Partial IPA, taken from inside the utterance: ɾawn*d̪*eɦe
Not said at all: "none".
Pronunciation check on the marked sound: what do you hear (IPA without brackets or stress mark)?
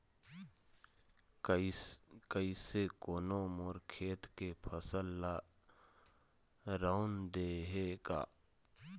d̪